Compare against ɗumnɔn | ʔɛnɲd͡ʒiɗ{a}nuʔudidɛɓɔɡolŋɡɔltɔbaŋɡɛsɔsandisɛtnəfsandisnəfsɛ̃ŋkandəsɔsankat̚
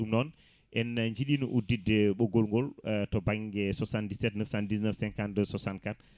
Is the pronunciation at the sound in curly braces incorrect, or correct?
incorrect